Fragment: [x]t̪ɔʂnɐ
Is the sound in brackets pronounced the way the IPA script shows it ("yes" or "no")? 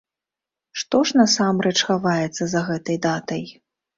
no